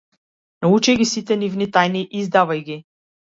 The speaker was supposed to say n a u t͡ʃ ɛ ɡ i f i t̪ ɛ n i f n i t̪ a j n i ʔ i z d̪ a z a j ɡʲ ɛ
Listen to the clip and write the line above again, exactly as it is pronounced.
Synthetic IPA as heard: n a u t͡ʃ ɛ ɡ i s i t̪ ɛ n i v n i t̪ a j n i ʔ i z d̪ a v a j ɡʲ i

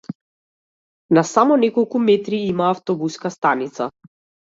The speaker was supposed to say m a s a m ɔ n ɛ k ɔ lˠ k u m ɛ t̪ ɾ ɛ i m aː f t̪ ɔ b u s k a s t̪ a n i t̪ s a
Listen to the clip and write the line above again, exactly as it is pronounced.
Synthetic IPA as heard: n a s a m ɔ n ɛ k ɔ lˠ k u m ɛ t̪ ɾ i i m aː f t̪ ɔ b u s k a s t̪ a n i t̪ s a

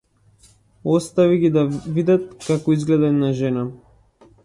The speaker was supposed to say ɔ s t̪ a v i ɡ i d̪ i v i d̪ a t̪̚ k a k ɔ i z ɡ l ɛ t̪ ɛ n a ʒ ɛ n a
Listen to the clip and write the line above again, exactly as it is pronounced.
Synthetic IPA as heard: ɔ s t̪ a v i ɡ i d̪ a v i d̪ a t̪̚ k a k ɔ i z ɡ l ɛ d̪ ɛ n a ʒ ɛ n a

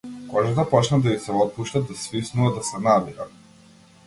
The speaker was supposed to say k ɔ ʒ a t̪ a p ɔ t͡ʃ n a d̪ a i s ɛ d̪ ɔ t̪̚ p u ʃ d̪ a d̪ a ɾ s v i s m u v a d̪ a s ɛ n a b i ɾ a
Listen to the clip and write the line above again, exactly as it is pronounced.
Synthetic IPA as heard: k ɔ ʒ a t̪ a p ɔ t͡ʃ n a d̪ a i s ɛ ɔ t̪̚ p u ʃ t̪ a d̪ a s v i s n u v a d̪ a s ɛ n a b i ɾ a

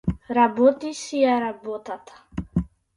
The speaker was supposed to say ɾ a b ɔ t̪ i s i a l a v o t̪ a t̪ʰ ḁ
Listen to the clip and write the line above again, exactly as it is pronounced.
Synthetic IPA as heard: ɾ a b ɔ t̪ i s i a ɾ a b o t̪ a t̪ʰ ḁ

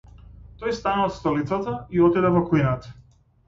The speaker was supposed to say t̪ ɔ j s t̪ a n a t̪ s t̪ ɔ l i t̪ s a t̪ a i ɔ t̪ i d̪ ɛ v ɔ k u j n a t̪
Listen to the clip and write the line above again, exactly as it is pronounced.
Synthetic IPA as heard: t̪ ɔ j s t̪ a n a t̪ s t̪ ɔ l i t̪ s a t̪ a i ɔ t̪ i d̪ ɛ v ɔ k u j n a t̪

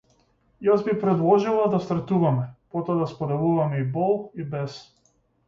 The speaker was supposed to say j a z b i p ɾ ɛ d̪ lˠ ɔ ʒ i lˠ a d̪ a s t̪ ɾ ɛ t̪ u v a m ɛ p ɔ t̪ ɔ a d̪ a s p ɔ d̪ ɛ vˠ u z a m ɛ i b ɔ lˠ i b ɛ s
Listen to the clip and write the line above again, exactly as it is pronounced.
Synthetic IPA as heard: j a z b i p ɾ ɛ d̪ lˠ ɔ ʒ i lˠ a d̪ a s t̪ ɾ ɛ t̪ u v a m ɛ p ɔ t̪ ɔ a d̪ a s p ɔ d̪ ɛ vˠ u v a m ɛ i b ɔ lˠ i b ɛ s

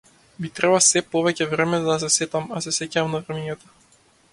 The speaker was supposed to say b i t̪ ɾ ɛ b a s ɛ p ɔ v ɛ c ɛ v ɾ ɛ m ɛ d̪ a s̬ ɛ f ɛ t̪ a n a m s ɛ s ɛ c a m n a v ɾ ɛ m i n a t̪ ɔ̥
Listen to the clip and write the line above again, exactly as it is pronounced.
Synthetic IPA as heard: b i t̪ ɾ ɛ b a s ɛ p ɔ v ɛ c ɛ v ɾ ɛ m ɛ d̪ a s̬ ɛ s ɛ t̪ a m a s ɛ s ɛ c a m n a v ɾ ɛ m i ɲ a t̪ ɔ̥

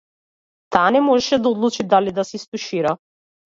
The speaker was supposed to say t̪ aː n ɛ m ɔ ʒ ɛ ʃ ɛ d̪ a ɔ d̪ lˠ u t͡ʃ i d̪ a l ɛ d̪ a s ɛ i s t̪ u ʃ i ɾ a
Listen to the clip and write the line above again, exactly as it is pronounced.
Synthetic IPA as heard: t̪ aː n ɛ m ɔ ʒ ɛ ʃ ɛ d̪ a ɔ d̪ lˠ u t͡ʃ i d̪ a l i d̪ a s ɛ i s t̪ u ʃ i ɾ a

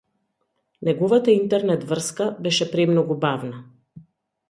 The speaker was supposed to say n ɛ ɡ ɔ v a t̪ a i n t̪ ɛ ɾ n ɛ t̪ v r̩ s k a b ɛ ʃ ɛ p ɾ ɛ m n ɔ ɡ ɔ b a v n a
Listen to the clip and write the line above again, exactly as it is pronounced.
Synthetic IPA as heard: n ɛ ɡ ɔ v a t̪ a i n t̪ ɛ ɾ n ɛ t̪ v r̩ s k a b ɛ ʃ ɛ p ɾ ɛ m n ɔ ɡ u b a v n a

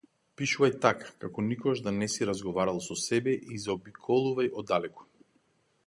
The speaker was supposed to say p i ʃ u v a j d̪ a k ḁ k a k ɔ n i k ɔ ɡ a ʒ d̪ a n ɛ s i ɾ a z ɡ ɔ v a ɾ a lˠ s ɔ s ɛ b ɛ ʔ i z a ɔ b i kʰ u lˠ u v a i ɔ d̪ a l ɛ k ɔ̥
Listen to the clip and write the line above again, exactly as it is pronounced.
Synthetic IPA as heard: p i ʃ u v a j t̪ a k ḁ k a k ɔ n i k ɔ ɡ a ʒ d̪ a n ɛ s i ɾ a z ɡ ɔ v a ɾ a lˠ s ɔ s ɛ b ɛ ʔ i z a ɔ b i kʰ ɔ lˠ u v a j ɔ d̪ a l ɛ k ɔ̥

